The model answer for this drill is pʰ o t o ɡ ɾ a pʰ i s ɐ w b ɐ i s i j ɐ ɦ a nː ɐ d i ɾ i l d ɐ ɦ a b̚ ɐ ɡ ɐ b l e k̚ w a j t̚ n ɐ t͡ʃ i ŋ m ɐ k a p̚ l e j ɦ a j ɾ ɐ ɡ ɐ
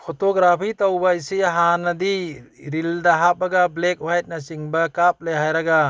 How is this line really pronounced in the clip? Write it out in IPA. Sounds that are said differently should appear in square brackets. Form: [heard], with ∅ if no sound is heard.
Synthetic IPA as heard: pʰ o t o ɡ ɾ a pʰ i [t] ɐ w b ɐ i s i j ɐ ɦ a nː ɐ d i ɾ i l d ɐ ɦ a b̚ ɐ ɡ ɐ b l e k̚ w a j t̚ n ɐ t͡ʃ i ŋ [b] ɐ k a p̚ l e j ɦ a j ɾ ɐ ɡ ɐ